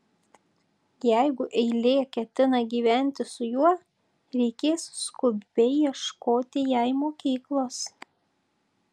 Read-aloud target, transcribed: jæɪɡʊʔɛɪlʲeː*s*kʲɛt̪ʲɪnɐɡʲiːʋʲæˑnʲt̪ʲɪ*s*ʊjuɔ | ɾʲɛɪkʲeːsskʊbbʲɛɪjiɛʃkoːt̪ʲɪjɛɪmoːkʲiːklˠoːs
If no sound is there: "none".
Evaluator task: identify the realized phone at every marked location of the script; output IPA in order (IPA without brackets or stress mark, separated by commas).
none, s